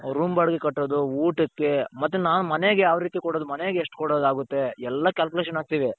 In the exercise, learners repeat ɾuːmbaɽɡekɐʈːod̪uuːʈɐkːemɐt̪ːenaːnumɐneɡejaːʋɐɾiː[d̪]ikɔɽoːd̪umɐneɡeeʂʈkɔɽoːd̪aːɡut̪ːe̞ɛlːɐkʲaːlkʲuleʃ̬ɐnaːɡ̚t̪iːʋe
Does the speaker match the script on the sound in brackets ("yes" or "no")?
no